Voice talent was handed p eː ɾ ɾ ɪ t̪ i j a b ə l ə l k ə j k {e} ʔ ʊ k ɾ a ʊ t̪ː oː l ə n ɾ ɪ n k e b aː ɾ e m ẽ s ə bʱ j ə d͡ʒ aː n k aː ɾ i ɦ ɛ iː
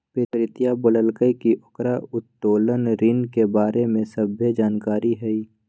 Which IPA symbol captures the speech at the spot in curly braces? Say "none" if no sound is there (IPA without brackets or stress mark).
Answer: i